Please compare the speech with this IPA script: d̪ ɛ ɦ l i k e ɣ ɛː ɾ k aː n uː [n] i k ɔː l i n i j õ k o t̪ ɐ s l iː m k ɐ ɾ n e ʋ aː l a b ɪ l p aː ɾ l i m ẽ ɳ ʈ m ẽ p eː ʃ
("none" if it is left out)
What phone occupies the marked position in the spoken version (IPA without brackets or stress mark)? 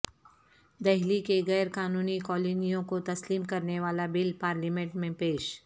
n